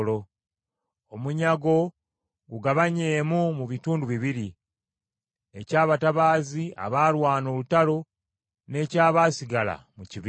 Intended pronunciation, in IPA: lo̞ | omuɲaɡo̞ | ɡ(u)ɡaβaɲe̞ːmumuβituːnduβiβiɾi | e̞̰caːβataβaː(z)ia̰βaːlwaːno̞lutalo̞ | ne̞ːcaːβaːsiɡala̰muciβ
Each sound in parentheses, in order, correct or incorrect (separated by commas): correct, correct